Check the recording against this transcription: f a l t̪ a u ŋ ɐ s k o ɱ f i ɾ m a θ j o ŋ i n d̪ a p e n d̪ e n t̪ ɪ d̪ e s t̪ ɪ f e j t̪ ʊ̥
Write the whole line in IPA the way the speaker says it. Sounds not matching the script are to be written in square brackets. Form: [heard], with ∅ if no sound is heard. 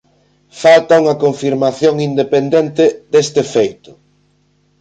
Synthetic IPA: f a l t̪ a u ŋ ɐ [∅] k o ɱ f i ɾ m a θ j o ŋ i n d̪ [e] p e n d̪ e n t̪ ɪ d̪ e s t̪ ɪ f e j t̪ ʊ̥